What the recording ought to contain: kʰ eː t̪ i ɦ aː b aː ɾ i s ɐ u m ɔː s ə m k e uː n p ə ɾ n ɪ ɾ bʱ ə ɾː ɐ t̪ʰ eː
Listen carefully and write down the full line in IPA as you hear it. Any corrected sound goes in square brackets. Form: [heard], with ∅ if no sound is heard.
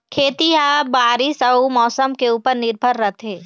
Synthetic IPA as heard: kʰ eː t̪ i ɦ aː b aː ɾ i s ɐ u m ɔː s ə m k e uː [∅] p ə ɾ n ɪ ɾ bʱ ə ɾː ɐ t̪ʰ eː